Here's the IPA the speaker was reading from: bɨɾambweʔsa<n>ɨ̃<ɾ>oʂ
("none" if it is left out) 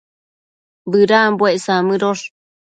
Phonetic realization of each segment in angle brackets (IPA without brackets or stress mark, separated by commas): m, ɾ